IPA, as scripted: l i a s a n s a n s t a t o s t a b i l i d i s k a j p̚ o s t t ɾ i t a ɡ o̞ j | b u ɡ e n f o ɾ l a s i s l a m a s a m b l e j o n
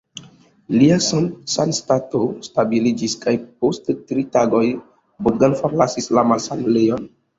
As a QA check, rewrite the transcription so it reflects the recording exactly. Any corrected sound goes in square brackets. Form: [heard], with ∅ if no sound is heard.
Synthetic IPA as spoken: l i a s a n s a n s t a t o s t a b i l i [d͡ʒ] i s k a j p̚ o s t t ɾ i t a ɡ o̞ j | b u ɡ [a] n f o ɾ l a s i s l a m a s a m b l e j o n

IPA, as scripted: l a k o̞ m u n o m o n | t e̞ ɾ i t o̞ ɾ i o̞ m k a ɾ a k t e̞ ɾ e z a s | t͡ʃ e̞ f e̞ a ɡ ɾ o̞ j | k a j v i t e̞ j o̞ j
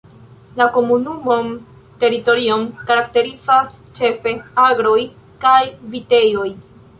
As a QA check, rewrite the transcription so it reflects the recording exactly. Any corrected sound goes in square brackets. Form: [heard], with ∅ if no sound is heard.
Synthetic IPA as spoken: l a k o̞ m u n [u] m o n | t e̞ ɾ i t o̞ ɾ i o̞ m k a ɾ a k t e̞ ɾ [i] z a s | t͡ʃ e̞ f e̞ a ɡ ɾ o̞ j | k a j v i t e̞ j o̞ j

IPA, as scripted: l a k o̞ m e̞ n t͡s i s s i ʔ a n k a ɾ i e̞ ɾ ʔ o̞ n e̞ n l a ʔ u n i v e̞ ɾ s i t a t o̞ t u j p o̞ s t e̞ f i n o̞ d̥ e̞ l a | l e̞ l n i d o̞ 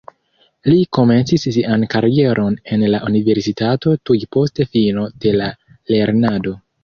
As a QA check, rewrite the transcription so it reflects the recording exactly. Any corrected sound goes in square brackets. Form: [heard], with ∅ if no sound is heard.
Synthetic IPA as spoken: l [i] k o̞ m e̞ n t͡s i s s i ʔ a n k a ɾ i e̞ ɾ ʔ o̞ n e̞ n l a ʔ u n i v e̞ ɾ s i t a t o̞ t u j p o̞ s t e̞ f i n o̞ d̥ e̞ l a | l e̞ [ɾ] n [a] d o̞

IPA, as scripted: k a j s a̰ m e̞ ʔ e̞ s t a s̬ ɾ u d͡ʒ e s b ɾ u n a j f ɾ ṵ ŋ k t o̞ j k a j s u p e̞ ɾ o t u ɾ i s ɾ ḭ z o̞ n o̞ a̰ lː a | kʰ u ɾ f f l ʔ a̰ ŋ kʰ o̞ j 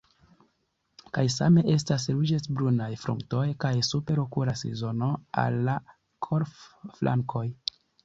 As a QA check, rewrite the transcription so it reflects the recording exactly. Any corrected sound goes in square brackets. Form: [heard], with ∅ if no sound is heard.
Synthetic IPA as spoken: k a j s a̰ m e̞ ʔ e̞ s t a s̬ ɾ u d͡ʒ e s b ɾ u n a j f ɾ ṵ ŋ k t o̞ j k a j s u p e̞ ɾ o [k] u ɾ [a] s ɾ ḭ z o̞ n o̞ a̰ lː a | kʰ [o] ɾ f f l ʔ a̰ ŋ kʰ o̞ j

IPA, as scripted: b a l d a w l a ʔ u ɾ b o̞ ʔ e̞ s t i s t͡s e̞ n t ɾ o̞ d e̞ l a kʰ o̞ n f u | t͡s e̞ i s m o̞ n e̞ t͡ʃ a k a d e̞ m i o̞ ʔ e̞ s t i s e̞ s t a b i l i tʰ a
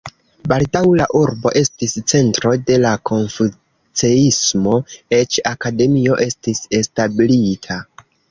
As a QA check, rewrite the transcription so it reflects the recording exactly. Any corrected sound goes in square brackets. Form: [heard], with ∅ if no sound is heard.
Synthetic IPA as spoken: b a l d a w l a ʔ u ɾ b o̞ ʔ e̞ s t i s t͡s e̞ n t ɾ o̞ d e̞ l a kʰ o̞ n f u | t͡s e̞ i s m o̞ [∅] e̞ t͡ʃ a k a d e̞ m i o̞ ʔ e̞ s t i s e̞ s t a b i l i tʰ a

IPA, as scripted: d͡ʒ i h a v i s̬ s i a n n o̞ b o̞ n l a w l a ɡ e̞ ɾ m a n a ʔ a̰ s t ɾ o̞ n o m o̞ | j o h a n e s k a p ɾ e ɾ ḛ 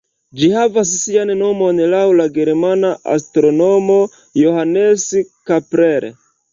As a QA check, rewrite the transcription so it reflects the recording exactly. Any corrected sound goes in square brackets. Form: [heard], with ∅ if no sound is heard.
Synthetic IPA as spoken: d͡ʒ i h a v [a] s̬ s i a n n o̞ [m] o̞ n l a w l a ɡ e̞ ɾ m a n a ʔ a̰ s t ɾ o̞ n o m o̞ | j o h a n e s k a p ɾ e ɾ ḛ

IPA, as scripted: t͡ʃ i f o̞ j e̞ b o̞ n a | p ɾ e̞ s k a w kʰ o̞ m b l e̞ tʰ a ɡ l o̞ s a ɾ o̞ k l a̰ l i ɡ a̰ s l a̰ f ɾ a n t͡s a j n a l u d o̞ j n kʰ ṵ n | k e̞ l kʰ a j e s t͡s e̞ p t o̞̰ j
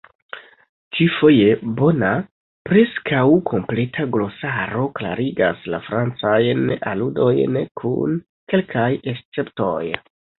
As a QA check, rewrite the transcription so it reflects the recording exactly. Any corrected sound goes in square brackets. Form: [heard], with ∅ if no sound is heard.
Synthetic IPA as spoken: t͡ʃ i f o̞ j e̞ b o̞ n a | p ɾ e̞ s k a w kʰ o̞ m [p] l e̞ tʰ a ɡ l o̞ s a ɾ o̞ k l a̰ [ɾ] i ɡ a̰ s l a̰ f ɾ a n t͡s a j n a l u d o̞ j n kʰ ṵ n | k e̞ l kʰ a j e s t͡s e̞ p t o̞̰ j

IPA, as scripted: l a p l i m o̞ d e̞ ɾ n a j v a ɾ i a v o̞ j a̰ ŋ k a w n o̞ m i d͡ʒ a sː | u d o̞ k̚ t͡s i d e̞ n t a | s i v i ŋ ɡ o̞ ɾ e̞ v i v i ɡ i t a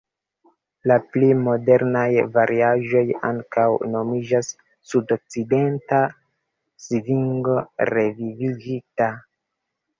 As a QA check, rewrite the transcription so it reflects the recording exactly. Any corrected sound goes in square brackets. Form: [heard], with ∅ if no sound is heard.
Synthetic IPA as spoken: l a p l i m o̞ d e̞ ɾ n a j v a ɾ i a [ʒ] o̞ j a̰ ŋ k a w n o̞ m i d͡ʒ a sː | u d o̞ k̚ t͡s i d e̞ n t a | s i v i ŋ ɡ o̞ ɾ e̞ v i v i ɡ i t a

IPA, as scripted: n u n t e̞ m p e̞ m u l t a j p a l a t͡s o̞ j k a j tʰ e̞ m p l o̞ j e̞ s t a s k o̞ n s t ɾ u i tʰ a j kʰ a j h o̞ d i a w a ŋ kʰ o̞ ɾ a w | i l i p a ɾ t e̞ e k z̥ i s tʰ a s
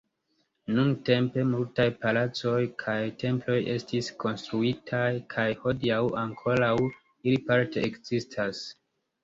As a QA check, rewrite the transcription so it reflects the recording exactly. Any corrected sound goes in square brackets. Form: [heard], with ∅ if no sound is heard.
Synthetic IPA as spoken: n u n t e̞ m p e̞ m u l t a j p a l a t͡s o̞ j [kʰ] a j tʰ e̞ m p l o̞ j e̞ s t [i] s k o̞ n s t ɾ u i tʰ a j kʰ a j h o̞ d i a w a ŋ kʰ o̞ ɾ a w | i l i p a ɾ t e̞ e k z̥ i s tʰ a s

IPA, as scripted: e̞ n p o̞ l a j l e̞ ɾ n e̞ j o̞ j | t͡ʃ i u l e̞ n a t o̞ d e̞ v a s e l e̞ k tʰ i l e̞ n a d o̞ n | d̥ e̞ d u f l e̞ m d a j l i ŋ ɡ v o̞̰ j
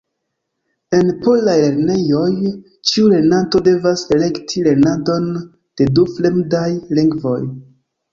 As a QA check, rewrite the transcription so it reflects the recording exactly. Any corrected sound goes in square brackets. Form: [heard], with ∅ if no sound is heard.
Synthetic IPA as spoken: e̞ n p o̞ l a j l e̞ ɾ n e̞ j o̞ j | t͡ʃ i u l e̞ n a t o̞ d e̞ v a s e l e̞ k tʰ i l e̞ n a d o̞ n | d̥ e̞ d u f l e̞ m d a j l i ŋ ɡ v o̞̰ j

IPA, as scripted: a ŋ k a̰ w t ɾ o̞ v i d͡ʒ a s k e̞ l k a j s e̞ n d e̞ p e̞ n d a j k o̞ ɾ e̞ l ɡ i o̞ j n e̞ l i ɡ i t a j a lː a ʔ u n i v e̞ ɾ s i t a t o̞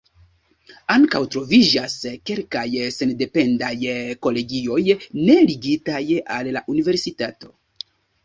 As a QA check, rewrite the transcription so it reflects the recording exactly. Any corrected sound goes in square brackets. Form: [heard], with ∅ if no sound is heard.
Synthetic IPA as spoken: a ŋ k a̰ w t ɾ o̞ v i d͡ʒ a s k e̞ l k a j s e̞ n d e̞ p e̞ n d a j k o̞ [l] e̞ [∅] ɡ i o̞ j n e̞ l i ɡ i t a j a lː a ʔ u n i v e̞ ɾ s i t a t o̞

